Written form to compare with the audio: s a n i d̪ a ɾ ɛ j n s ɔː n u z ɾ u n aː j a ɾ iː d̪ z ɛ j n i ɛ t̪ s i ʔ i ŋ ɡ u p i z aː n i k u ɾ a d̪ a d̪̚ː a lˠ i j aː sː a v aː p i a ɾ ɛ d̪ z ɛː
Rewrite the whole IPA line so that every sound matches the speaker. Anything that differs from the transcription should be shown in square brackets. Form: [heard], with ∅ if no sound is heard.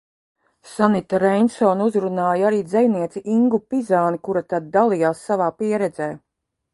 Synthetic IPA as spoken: s a n i [t̪] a ɾ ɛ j n s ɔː n u z ɾ u n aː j a ɾ iː d̪ z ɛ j n i ɛ t̪ s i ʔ i ŋ ɡ u p i z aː n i k u ɾ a [t̪] a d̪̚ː a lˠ i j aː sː a v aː p i [ɛ] ɾ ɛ d̪ z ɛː